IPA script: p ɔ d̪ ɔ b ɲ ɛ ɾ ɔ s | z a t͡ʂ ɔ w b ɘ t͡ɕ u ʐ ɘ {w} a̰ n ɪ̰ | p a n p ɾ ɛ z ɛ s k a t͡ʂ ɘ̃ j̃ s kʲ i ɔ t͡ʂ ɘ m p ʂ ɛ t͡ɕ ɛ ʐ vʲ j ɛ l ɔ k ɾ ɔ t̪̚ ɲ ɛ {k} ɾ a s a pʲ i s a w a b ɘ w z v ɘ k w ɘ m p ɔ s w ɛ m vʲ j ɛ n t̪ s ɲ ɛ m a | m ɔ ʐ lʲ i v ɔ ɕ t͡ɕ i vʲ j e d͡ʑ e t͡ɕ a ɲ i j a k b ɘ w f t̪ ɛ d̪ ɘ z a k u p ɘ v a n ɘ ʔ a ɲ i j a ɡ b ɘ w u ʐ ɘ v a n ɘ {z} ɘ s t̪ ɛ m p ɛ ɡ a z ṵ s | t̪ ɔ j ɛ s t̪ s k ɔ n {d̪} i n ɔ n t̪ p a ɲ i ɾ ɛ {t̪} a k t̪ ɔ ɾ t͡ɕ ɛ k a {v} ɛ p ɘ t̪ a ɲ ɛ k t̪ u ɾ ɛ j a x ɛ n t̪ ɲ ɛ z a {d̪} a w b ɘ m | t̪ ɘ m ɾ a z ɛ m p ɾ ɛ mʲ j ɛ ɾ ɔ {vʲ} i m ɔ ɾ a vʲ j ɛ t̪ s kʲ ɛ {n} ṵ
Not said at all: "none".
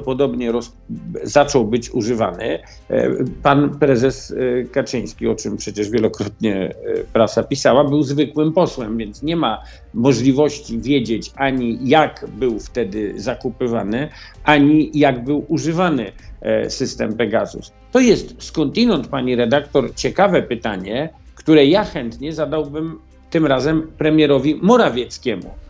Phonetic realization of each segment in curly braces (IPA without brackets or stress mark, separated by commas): v, p, s, t̪, d̪, v, d̪, vʲ, m